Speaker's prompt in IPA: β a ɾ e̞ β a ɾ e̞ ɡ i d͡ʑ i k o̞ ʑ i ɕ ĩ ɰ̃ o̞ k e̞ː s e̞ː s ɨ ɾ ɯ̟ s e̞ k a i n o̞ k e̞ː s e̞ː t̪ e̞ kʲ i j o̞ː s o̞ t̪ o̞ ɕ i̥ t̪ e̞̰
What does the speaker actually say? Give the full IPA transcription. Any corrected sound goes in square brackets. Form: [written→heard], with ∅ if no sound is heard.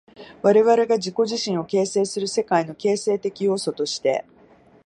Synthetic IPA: β a ɾ e̞ β a ɾ e̞ ɡ [i→a] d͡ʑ i k o̞ ʑ i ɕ ĩ ɰ̃ o̞ k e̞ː s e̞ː s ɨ ɾ ɯ̟ s e̞ k a i n o̞ k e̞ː s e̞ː t̪ e̞ kʲ i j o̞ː s o̞ t̪ o̞ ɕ i̥ t̪ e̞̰